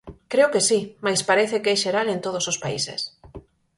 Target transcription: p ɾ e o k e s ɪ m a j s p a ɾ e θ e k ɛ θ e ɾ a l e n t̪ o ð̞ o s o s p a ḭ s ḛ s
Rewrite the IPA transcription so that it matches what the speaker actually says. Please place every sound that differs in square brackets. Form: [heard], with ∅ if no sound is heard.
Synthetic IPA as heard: [k] ɾ e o k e s [i] m a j s p a ɾ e θ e k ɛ [ʃ] e ɾ a l e n t̪ o ð̞ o s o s p a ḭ s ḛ s